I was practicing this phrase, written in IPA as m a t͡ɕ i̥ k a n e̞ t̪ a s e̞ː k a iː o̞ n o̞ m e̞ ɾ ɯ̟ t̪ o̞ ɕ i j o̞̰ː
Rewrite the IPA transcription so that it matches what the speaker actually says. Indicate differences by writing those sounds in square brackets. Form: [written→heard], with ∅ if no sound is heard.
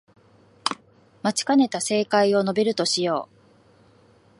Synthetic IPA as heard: m a t͡ɕ i̥ k a n e̞ t̪ a s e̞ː k a [iː→i] o̞ n o̞ [m→b] e̞ ɾ ɯ̟ t̪ o̞ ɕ i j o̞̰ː